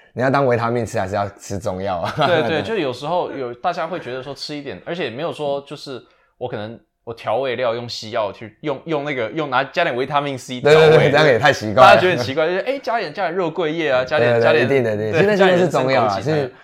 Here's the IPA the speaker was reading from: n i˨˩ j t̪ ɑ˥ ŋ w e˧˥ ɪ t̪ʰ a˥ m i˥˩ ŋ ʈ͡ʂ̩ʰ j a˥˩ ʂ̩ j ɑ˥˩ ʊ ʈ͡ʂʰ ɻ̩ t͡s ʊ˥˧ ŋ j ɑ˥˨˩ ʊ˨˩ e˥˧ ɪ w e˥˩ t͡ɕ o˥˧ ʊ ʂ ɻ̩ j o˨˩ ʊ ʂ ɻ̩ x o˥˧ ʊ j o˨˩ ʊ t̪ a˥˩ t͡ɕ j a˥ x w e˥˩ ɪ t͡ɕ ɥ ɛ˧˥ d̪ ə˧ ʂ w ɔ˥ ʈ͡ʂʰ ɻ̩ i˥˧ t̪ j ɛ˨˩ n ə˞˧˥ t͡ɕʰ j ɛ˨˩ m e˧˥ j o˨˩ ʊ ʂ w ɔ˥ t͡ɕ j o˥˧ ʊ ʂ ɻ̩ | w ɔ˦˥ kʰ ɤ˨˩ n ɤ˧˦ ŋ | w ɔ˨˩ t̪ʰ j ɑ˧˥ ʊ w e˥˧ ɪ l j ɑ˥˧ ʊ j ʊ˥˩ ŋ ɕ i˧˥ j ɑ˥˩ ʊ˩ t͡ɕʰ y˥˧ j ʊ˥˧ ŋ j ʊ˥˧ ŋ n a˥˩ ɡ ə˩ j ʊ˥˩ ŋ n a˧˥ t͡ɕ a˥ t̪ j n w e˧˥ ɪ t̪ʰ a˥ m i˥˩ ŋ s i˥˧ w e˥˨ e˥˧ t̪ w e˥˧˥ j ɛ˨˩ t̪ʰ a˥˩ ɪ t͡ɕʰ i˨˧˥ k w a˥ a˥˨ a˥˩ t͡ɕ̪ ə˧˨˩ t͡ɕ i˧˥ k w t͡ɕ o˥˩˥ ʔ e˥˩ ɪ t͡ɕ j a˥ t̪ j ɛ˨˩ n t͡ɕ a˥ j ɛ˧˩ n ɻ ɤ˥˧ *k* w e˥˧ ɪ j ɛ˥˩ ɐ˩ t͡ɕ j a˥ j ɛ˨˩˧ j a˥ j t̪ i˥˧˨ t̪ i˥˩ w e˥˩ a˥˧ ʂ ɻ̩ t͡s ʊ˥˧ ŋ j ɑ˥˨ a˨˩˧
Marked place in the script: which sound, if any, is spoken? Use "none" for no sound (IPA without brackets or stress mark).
k